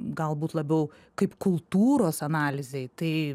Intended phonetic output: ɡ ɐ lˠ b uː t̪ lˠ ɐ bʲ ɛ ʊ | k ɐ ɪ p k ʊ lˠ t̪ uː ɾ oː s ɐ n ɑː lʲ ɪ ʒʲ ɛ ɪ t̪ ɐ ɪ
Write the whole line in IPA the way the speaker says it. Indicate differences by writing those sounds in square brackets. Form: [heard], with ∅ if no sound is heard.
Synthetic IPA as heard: ɡ ɐ lˠ b uː t̪ lˠ ɐ bʲ ɛ ʊ | k ɐ ɪ p k ʊ lˠ t̪ uː ɾ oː s ɐ n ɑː lʲ ɪ [zʲ] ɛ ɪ t̪ ɐ ɪ